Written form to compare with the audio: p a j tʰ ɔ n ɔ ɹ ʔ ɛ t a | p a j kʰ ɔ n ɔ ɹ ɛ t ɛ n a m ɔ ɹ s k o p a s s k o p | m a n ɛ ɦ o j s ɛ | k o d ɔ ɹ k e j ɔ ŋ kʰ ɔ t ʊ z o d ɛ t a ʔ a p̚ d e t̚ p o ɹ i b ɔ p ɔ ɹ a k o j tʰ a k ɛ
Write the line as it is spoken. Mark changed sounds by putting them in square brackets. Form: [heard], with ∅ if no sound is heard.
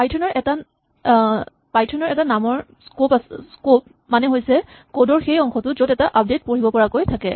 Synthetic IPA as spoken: p a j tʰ ɔ n ɔ ɹ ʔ ɛ t a | p a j [tʰ] ɔ n ɔ ɹ ɛ t [a] n a m ɔ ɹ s k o p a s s k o p | m a n ɛ ɦ o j s ɛ | k o d ɔ ɹ [x] e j ɔ ŋ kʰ ɔ t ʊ z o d ɛ t a ʔ a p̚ d e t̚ p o ɹ i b ɔ p ɔ ɹ a k o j tʰ a k ɛ